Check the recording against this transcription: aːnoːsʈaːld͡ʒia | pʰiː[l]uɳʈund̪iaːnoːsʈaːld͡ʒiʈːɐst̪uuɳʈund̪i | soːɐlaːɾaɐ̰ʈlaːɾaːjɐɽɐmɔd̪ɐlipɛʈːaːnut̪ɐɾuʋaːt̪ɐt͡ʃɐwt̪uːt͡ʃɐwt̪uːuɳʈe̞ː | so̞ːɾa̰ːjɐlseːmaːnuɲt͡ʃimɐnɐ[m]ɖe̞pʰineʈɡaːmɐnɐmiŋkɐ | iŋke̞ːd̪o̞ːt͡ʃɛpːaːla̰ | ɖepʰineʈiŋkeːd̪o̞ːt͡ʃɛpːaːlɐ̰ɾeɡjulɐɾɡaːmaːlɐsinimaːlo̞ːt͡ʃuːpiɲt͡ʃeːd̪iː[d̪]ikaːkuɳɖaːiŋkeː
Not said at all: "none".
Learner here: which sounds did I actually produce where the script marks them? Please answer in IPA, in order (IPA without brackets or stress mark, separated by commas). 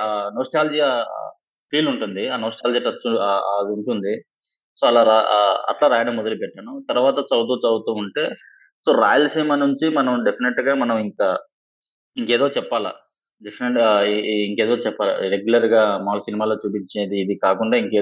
l, m, d̪